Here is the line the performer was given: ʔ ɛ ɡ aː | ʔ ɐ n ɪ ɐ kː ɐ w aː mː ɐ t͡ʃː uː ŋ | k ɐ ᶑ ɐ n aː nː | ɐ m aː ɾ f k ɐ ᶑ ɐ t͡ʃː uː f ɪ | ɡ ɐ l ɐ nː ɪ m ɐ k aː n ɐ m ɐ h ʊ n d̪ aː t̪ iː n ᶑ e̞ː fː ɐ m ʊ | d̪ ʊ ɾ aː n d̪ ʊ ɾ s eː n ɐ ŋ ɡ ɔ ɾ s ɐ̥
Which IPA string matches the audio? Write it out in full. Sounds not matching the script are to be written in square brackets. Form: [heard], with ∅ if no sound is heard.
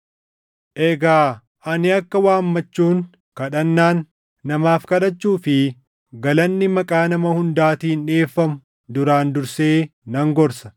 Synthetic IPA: ʔ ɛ ɡ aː | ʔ ɐ n ɪ ɐ kː ɐ w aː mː ɐ t͡ʃː uː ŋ | k ɐ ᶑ ɐ [nː] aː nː | ɐ m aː [∅] f k ɐ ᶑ ɐ t͡ʃː uː f ɪ | ɡ ɐ l ɐ nː ɪ m ɐ [kʼ] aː n ɐ m ɐ h ʊ n d̪ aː t̪ iː n ᶑ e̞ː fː ɐ m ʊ | d̪ ʊ ɾ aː n d̪ ʊ ɾ s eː n ɐ ŋ ɡ ɔ ɾ s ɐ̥